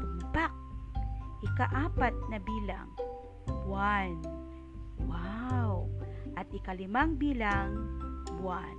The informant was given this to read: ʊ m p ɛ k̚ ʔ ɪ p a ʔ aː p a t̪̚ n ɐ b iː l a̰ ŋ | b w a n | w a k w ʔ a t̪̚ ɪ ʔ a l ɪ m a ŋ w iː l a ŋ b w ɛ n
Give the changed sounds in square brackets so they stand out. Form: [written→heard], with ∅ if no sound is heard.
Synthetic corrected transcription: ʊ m p [ɛ→a] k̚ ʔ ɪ [p→k] a ʔ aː p a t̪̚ n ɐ b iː l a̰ ŋ | b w a n | w a [k→∅] w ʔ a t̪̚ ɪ [ʔ→k] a l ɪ m a ŋ [w→b] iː l a ŋ b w [ɛ→a] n